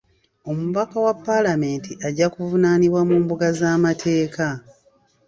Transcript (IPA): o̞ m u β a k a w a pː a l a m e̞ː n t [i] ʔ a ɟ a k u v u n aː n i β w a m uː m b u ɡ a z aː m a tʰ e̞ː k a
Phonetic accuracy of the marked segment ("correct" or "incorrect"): correct